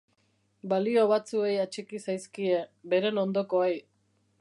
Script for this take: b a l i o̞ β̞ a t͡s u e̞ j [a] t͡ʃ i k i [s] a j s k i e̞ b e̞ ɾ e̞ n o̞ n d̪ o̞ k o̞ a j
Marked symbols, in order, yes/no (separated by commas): yes, yes